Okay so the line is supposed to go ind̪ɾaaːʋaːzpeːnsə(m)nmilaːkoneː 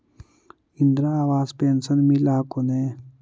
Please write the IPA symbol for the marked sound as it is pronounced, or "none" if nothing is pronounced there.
none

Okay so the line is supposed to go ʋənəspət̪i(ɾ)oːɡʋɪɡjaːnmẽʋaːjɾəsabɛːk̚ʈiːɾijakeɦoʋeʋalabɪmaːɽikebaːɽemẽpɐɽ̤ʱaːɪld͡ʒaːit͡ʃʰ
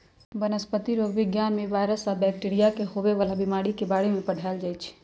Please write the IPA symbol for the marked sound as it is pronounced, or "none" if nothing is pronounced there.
ɾ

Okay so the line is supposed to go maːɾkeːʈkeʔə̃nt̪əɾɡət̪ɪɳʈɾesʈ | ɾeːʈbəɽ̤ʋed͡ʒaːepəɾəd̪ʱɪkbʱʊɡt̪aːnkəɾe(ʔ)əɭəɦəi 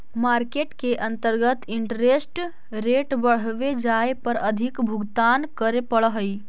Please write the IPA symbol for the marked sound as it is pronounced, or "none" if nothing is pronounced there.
p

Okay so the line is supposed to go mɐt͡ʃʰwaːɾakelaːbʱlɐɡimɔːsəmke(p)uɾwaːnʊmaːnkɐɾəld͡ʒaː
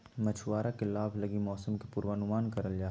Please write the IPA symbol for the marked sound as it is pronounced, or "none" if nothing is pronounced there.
p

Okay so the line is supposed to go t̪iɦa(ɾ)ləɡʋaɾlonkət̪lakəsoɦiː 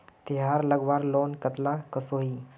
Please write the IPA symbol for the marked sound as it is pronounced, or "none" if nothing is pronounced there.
ɾ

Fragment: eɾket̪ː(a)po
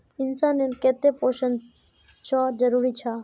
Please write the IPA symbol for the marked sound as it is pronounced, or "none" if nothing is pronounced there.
e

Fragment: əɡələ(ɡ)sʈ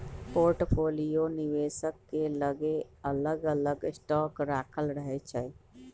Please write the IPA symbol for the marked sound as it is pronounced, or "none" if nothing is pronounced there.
ɡ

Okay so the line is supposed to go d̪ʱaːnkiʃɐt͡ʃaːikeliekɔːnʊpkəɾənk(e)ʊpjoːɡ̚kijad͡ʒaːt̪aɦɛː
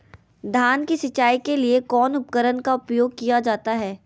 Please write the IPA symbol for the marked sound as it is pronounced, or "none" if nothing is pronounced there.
a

